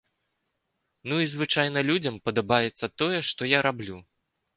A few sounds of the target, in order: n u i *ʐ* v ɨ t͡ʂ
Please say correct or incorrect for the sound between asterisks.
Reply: incorrect